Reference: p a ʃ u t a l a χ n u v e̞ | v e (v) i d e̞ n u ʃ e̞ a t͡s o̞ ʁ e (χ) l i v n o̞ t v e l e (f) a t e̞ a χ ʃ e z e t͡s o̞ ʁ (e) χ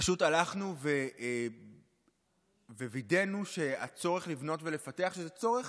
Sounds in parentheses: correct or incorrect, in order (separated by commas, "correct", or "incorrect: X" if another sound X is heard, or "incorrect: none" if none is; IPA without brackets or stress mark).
correct, correct, correct, correct